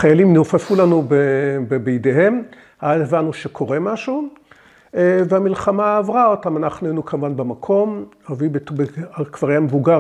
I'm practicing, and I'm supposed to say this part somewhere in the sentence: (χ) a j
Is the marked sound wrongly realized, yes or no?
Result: no